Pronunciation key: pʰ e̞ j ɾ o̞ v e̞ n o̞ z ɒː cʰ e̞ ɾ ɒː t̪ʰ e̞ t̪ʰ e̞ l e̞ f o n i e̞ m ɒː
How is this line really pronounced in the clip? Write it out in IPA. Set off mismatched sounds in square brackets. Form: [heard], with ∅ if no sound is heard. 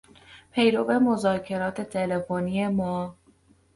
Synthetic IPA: pʰ e̞ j ɾ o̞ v e̞ [m] o̞ z ɒː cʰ e̞ ɾ ɒː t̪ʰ e̞ t̪ʰ e̞ l e̞ f o n i e̞ m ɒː